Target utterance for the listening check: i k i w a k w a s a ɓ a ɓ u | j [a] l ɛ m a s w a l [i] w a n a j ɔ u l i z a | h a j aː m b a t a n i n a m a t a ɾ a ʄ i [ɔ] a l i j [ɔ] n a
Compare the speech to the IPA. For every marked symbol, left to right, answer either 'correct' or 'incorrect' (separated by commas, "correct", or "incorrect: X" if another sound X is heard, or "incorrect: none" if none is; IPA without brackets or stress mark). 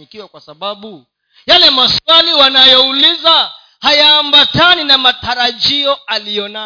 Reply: correct, correct, correct, correct